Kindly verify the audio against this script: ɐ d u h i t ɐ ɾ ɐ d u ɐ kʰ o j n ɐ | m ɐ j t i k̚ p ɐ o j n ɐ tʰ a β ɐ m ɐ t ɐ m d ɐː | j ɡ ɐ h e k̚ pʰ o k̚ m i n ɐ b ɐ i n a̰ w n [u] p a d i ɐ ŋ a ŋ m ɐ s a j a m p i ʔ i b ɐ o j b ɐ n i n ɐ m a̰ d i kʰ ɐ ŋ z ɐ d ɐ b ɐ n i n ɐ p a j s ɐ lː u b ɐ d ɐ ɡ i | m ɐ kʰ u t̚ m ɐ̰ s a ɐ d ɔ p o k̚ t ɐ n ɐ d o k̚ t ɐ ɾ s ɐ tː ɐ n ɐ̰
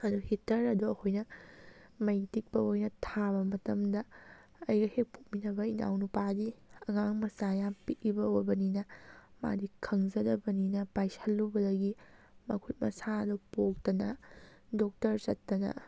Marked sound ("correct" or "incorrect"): correct